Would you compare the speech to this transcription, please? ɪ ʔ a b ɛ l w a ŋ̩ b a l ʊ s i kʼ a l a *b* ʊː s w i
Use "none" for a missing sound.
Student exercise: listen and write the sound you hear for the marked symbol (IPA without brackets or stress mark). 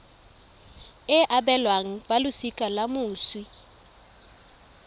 m